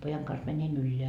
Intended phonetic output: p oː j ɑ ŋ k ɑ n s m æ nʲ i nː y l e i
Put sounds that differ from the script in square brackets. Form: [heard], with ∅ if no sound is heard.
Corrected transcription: p [o] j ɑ ŋ k ɑ n s m æ nʲ i [n] y [lː] e [æ]